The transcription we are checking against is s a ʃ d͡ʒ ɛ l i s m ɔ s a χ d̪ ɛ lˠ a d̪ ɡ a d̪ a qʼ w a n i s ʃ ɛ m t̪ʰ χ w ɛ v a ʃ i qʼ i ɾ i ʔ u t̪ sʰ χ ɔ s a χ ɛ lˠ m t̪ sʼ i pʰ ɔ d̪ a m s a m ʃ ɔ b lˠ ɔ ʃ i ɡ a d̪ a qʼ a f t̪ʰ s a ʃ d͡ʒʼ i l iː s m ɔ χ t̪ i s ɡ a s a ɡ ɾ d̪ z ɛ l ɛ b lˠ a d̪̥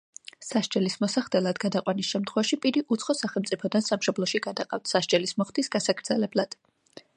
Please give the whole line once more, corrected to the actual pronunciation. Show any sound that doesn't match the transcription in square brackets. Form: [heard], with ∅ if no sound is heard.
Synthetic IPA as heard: s a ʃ d͡ʒ ɛ l i s m ɔ s a χ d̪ ɛ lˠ a d̪ ɡ a d̪ a qʼ w a n i s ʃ ɛ m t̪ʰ χ w ɛ v a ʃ i [pʼ] i ɾ i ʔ u t̪ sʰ χ ɔ s a χ ɛ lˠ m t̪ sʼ i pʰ ɔ d̪ a [n] s a m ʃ ɔ b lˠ ɔ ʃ i ɡ a d̪ a qʼ a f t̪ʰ s a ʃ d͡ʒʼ [ɛ] l [i] s m ɔ χ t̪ i s ɡ a s a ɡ ɾ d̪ z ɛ l ɛ b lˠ a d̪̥